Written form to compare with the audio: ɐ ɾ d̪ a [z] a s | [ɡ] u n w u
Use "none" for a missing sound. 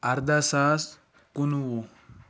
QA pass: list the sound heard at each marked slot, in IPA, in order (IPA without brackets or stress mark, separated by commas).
s, k